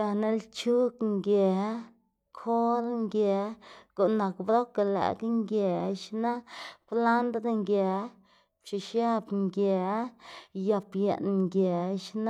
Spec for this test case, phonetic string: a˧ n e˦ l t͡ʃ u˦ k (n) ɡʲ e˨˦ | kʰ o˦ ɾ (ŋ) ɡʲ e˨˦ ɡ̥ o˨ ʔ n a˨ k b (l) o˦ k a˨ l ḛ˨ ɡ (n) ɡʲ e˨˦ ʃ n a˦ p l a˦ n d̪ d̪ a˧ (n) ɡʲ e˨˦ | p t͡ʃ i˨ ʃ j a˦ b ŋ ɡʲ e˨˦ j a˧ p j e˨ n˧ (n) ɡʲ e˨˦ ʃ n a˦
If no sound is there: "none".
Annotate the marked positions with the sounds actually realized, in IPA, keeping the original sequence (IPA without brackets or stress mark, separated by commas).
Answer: ŋ, ŋ, ɾ, ŋ, ŋ, ŋ